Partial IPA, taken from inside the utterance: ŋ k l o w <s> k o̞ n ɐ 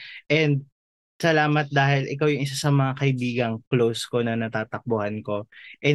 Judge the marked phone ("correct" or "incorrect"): correct